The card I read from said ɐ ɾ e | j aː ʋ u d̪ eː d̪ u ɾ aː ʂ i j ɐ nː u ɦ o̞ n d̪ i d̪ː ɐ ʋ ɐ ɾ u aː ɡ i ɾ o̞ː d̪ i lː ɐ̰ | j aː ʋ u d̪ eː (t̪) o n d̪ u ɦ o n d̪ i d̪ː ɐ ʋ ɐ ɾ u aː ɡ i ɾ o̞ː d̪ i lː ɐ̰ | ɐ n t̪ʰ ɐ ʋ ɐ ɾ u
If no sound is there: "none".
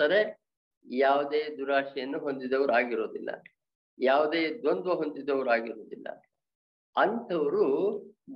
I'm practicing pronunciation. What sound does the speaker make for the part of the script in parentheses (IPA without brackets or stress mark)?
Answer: d̪